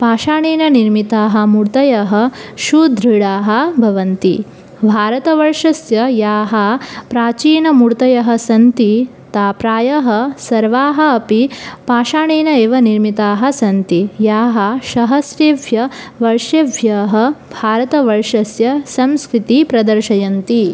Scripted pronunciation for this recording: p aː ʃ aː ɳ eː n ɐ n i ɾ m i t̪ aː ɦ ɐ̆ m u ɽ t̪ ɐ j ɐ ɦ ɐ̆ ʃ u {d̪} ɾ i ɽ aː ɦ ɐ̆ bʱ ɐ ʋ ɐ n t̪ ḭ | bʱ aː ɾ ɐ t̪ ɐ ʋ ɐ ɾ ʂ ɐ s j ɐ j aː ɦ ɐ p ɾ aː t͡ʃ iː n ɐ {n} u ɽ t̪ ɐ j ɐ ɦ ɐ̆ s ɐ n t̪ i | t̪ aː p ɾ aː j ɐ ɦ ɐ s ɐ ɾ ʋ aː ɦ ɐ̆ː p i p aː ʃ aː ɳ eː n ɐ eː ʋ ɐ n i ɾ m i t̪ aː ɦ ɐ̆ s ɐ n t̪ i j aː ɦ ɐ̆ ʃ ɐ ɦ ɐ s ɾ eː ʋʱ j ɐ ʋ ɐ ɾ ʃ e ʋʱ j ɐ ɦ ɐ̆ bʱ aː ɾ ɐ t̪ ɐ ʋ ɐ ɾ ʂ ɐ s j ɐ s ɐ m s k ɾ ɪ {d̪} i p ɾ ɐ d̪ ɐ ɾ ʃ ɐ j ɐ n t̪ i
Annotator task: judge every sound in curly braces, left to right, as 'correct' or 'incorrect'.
correct, incorrect: m, incorrect: t̪

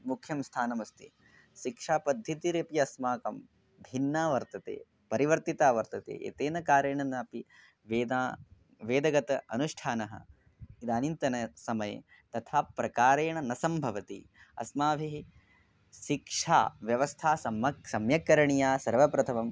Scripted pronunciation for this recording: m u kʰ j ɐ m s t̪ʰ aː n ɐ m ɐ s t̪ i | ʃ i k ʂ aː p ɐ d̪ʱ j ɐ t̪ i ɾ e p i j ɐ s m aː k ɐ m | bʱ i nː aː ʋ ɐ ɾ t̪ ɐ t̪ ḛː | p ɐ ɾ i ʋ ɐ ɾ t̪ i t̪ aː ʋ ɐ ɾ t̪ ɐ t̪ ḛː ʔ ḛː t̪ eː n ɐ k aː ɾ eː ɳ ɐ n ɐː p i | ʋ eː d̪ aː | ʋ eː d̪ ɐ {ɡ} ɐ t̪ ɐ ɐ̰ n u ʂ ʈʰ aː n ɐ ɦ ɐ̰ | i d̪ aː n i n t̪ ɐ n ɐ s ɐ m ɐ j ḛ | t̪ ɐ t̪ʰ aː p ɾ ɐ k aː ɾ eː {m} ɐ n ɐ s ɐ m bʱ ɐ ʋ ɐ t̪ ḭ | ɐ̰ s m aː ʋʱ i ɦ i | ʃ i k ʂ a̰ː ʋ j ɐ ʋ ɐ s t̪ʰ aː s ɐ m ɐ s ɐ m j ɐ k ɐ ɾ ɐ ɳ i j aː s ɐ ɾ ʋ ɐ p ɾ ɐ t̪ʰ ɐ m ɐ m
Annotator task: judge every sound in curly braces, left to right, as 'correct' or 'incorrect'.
correct, incorrect: ɳ

